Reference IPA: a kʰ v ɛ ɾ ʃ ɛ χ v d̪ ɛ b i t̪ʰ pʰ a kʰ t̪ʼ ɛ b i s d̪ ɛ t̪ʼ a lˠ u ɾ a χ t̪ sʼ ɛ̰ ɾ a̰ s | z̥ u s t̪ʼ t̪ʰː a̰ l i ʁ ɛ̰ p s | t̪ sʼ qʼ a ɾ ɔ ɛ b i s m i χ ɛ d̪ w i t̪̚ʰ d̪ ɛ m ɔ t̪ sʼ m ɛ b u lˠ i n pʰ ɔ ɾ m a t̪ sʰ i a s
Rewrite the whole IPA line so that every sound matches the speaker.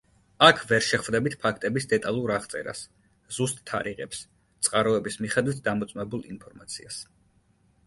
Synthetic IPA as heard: a kʰ v ɛ ɾ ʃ ɛ χ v d̪ ɛ b i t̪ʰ pʰ a kʰ t̪ʼ ɛ b i s d̪ ɛ t̪ʼ a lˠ u ɾ a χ t̪ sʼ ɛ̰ ɾ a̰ s | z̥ u s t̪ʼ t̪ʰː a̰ ɾ i ʁ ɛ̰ p s | t̪ sʼ qʼ a ɾ ɔ ɛ b i s m i χ ɛ d̪ w i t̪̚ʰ d̪ a m ɔ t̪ sʼ m ɛ b u lˠ i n pʰ ɔ ɾ m a t̪ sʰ i a s